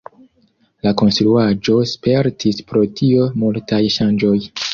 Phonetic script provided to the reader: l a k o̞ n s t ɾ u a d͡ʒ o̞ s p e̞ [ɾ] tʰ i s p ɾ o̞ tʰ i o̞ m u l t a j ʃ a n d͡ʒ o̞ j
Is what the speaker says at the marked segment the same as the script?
yes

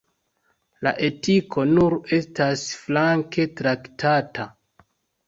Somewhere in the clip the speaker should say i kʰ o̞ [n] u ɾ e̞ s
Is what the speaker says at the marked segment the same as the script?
yes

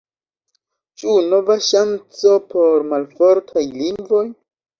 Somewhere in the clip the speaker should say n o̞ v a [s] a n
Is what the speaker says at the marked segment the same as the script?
no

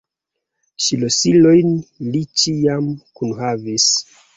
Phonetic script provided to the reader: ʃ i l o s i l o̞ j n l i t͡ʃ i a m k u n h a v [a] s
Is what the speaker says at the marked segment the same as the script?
no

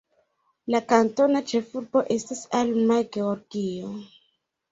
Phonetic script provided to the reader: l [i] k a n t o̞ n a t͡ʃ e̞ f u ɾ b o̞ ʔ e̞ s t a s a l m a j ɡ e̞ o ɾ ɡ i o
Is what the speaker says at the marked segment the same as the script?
no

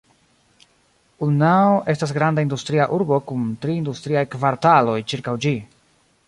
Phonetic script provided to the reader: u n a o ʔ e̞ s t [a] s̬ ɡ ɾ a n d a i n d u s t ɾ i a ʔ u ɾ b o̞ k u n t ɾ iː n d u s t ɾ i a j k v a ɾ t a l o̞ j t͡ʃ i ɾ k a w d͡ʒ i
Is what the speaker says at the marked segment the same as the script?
yes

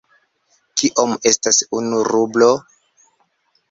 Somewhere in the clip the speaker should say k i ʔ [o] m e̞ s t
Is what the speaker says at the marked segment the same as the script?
yes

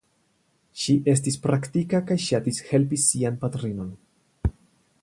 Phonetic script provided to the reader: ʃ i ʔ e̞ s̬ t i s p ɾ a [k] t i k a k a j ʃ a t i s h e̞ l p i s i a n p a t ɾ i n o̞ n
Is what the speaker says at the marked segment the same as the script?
yes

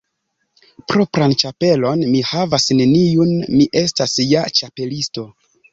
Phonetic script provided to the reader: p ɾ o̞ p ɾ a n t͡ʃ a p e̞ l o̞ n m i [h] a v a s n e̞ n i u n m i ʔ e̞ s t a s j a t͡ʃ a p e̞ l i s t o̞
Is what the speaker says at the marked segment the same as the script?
yes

